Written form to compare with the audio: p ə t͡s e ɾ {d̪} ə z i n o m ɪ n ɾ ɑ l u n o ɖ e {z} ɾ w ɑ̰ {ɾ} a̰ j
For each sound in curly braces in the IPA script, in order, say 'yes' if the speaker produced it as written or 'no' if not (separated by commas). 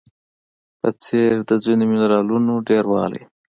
yes, no, no